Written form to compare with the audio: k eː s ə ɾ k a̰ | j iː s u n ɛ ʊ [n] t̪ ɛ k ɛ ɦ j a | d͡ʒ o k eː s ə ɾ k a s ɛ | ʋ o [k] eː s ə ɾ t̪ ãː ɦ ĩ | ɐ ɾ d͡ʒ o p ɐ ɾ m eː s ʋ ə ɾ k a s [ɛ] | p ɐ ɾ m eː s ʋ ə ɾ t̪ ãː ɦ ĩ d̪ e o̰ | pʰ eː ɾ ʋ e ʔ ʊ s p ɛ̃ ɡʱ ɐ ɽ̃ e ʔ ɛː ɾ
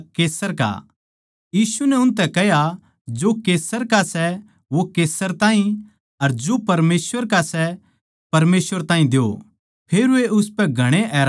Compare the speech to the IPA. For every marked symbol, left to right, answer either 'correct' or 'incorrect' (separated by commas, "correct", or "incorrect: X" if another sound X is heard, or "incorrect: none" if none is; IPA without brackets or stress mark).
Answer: correct, correct, correct